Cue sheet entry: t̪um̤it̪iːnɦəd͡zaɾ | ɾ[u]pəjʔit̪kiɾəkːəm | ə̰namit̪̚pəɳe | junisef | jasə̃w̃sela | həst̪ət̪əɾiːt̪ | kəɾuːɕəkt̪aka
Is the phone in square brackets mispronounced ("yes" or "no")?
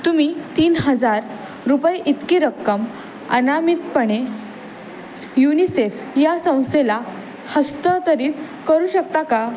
no